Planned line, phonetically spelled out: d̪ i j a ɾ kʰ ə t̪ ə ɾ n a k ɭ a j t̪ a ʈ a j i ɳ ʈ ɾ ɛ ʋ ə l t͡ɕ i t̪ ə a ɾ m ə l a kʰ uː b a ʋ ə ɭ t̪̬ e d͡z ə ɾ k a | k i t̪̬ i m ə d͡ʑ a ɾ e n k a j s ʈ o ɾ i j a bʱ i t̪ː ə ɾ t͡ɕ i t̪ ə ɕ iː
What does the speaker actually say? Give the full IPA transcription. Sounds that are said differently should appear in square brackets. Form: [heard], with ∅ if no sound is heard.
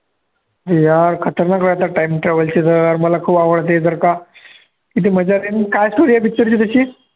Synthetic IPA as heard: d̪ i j a ɾ kʰ ə t̪ ə ɾ n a k [ɾ] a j t̪ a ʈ a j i [m] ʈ ɾ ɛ ʋ ə l t͡ɕ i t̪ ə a ɾ m ə l a kʰ uː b a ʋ ə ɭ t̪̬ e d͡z ə ɾ k a | k i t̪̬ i m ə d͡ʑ a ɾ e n k a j s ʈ o ɾ i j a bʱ i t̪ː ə ɾ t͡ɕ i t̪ ə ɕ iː